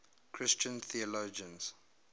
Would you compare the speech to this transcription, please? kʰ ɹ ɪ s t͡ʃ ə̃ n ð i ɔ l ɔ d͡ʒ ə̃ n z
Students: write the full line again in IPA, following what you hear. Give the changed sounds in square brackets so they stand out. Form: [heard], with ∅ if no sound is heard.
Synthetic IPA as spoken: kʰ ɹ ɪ s t͡ʃ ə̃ n [θ] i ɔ l [o] d͡ʒ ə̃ n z